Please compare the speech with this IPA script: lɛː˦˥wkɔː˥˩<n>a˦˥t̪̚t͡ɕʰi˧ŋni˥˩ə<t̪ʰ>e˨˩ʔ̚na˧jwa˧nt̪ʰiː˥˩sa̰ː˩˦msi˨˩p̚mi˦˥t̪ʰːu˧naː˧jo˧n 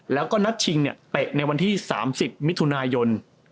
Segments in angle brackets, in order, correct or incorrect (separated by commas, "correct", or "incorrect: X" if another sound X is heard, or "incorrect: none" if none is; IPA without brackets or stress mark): correct, incorrect: t̪